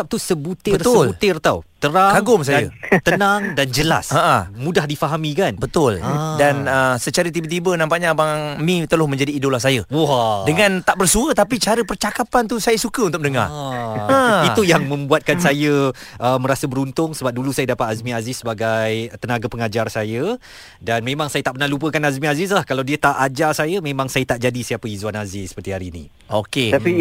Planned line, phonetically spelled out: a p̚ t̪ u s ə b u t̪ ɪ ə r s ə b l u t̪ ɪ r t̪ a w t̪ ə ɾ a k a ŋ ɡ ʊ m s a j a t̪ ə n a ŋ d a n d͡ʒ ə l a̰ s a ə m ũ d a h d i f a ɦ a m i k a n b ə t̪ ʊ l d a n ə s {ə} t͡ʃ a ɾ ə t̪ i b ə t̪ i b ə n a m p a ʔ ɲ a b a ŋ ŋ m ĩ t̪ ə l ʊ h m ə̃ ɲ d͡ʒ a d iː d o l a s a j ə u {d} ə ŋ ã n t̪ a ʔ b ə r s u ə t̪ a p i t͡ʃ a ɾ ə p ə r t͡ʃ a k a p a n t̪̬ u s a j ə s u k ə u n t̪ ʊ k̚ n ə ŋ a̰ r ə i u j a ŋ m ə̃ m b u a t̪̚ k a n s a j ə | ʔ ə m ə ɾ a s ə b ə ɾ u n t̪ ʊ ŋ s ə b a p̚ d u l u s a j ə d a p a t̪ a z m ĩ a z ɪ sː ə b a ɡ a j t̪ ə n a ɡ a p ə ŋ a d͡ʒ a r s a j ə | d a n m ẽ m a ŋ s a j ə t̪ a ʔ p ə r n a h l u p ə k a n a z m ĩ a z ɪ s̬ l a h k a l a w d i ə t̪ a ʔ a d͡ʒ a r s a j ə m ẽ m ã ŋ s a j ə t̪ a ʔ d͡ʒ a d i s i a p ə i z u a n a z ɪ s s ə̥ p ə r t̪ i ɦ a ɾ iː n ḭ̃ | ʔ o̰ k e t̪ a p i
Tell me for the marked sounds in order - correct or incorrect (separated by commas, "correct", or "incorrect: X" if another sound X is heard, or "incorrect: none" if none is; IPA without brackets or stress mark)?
correct, correct